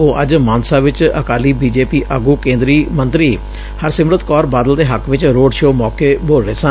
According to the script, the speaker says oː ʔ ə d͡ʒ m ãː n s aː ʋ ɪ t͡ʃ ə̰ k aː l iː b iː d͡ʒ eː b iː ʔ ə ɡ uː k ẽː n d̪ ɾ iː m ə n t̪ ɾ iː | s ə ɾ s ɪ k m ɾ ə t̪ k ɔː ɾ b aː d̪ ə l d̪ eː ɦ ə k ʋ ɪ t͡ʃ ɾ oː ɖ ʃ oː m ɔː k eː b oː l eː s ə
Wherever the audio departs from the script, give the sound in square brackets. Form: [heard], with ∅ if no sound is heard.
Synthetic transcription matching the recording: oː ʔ ə d͡ʒ m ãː n s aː ʋ ɪ t͡ʃ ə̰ k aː l iː b iː d͡ʒ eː [p] iː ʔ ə ɡ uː k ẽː n d̪ ɾ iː m ə n t̪ ɾ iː | [h] ə ɾ s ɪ [∅] m ɾ ə t̪ k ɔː ɾ b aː d̪ ə l d̪ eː ɦ ə k ʋ ɪ t͡ʃ ɾ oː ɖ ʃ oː m ɔː k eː b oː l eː s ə